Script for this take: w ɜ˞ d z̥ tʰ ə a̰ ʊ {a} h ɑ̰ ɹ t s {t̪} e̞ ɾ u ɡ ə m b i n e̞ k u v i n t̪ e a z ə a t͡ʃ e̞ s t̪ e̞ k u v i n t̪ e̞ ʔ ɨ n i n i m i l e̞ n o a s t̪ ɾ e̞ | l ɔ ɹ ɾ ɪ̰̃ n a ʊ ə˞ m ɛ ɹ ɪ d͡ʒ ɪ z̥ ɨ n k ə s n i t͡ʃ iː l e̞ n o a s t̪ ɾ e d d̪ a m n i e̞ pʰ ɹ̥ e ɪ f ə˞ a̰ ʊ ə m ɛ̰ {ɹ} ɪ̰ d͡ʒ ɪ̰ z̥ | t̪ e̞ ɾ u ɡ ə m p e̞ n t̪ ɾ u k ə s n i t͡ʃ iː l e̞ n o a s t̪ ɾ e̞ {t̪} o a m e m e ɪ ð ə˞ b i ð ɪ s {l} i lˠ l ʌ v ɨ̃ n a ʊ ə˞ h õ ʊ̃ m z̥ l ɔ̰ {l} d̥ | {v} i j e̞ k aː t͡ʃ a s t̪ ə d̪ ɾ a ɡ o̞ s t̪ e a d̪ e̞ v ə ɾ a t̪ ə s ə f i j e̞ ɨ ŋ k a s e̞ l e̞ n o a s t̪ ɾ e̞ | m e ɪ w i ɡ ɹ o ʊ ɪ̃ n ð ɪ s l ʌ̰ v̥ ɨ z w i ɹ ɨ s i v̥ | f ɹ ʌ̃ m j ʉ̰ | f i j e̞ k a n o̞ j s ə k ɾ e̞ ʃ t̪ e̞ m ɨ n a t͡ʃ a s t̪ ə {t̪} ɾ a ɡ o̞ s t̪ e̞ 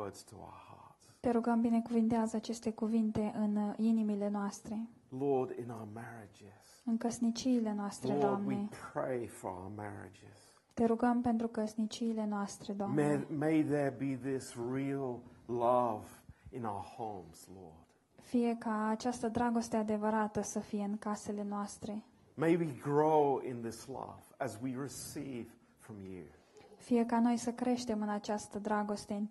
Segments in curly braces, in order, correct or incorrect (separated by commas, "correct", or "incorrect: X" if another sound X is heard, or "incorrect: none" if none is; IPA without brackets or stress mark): incorrect: ə, correct, correct, incorrect: d̪, incorrect: ɹ, incorrect: ɹ, incorrect: f, incorrect: d̪